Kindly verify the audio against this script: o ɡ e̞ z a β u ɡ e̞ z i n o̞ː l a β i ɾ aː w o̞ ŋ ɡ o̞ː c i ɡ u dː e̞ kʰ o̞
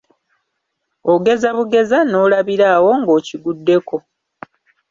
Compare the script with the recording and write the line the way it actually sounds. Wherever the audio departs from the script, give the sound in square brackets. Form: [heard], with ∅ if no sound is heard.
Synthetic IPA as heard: o ɡ e̞ z a β u ɡ e̞ z [a] n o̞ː l a β i ɾ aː w o̞ ŋ ɡ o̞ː c i ɡ u dː e̞ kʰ o̞